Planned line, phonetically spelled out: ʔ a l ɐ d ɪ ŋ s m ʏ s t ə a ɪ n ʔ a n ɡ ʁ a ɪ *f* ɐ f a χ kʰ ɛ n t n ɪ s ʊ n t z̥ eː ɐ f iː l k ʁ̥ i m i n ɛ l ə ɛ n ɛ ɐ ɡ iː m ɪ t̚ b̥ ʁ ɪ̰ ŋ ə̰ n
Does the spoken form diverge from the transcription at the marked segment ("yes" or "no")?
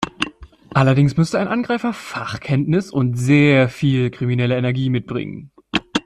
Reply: no